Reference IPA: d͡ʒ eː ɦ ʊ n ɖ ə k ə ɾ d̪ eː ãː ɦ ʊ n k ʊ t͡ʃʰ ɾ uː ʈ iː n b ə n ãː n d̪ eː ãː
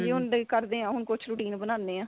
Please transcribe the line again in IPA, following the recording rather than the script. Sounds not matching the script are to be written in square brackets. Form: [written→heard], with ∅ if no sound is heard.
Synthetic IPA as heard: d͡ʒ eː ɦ ʊ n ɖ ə k ə ɾ d̪ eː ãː ɦ ʊ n k ʊ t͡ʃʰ ɾ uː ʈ iː n b ə n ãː n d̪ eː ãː